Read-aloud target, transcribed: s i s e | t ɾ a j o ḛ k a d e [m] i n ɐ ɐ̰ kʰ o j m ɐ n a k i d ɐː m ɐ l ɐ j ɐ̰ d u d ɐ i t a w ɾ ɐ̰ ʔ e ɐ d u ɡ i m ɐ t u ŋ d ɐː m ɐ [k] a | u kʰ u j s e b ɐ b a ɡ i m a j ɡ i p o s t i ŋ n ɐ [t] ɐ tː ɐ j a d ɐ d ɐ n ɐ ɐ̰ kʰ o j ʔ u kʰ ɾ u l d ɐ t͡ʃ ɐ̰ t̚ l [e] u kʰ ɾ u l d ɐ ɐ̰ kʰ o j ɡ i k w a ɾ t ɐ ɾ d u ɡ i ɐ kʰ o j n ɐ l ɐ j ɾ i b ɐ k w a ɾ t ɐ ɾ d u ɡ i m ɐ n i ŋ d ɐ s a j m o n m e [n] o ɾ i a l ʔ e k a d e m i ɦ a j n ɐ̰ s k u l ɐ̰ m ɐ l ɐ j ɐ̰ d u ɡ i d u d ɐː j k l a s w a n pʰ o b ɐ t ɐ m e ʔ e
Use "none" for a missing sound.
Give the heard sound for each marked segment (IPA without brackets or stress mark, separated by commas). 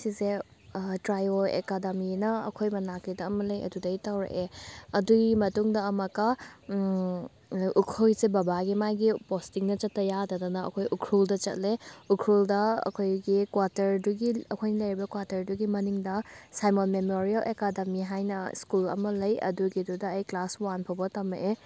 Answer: m, k, t͡ʃ, e, m